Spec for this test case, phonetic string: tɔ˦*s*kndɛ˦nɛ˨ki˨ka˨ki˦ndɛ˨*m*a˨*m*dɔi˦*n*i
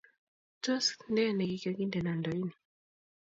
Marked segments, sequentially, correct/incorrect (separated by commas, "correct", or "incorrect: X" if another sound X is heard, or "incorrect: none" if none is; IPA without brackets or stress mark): correct, incorrect: n, incorrect: n, correct